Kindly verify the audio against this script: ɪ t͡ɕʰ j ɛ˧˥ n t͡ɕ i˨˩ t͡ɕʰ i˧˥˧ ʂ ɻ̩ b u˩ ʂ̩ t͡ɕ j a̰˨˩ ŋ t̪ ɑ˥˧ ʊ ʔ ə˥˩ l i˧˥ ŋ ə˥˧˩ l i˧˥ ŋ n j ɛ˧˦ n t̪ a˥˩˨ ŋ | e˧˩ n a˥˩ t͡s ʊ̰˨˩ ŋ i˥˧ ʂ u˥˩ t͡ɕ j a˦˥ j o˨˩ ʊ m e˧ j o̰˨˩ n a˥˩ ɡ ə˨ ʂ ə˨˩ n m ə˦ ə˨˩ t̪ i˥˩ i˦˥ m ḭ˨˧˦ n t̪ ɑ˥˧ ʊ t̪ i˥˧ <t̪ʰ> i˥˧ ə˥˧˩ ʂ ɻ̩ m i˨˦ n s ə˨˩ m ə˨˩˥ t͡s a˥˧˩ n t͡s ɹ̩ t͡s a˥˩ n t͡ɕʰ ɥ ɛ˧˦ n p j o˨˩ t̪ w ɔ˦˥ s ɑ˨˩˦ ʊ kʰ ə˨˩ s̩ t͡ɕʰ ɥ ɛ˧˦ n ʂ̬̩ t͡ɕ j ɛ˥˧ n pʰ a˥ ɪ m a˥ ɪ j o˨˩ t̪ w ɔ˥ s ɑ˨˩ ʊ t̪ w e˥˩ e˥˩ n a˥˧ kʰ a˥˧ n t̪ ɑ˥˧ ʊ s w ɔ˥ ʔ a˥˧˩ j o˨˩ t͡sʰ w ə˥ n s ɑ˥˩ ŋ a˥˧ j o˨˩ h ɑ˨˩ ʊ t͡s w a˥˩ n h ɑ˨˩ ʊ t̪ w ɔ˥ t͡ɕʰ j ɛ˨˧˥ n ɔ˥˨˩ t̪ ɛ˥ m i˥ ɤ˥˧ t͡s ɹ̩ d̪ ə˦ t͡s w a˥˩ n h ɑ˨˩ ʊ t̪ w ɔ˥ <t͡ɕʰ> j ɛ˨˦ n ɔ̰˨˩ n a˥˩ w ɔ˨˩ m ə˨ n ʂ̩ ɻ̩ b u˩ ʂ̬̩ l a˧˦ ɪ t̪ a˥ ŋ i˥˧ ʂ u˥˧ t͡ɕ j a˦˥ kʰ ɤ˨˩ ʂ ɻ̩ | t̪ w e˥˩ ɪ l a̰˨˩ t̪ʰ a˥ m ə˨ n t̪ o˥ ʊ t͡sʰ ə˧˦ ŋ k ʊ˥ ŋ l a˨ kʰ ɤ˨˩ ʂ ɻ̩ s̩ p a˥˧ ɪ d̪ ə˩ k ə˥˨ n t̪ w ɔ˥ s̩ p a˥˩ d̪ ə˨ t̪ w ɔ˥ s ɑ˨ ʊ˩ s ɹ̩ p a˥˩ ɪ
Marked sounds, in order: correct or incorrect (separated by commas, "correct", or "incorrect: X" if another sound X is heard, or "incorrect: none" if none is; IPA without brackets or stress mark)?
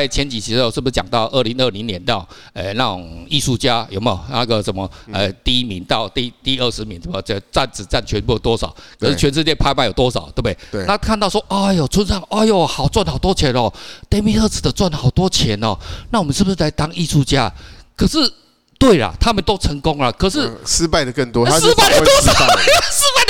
incorrect: t̪, correct